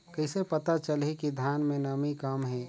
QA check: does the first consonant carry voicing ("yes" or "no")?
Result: no